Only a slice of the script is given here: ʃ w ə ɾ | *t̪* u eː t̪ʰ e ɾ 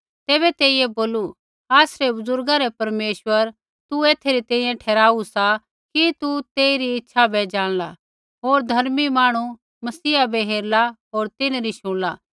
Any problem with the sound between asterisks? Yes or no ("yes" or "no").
no